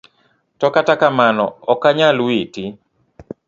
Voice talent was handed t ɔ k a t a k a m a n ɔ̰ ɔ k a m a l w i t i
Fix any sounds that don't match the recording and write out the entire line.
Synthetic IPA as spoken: t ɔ k a t a k a m a n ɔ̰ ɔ k a ɲ a l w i t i